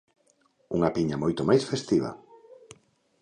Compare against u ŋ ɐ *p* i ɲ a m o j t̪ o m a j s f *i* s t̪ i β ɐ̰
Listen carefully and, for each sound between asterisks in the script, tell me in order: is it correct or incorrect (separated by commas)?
correct, incorrect